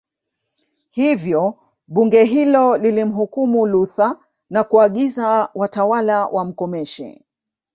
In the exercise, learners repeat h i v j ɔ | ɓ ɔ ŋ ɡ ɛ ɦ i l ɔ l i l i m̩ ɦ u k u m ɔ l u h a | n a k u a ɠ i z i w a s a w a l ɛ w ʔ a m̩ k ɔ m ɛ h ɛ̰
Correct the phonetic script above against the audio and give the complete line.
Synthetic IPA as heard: h i v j ɔ | ɓ u ŋ ɡ ɛ ɦ i l ɔ l i l i m̩ ɦ u k u m u l u θ a | n a k u a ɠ i z a w a t a w a l a w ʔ a m̩ k ɔ m ɛ ʃ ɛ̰